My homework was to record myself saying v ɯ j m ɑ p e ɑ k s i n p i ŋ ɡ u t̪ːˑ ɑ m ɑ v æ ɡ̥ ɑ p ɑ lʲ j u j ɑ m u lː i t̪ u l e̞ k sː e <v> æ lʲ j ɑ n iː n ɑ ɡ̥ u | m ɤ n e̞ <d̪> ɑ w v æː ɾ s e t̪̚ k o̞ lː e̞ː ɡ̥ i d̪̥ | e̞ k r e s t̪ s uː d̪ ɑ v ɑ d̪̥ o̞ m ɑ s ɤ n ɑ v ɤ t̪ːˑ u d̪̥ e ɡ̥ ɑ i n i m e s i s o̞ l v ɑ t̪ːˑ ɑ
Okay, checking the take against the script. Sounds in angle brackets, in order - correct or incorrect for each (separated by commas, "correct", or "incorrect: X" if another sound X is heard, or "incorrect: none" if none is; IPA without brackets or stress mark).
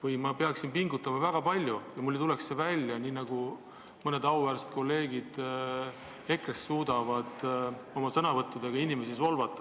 correct, correct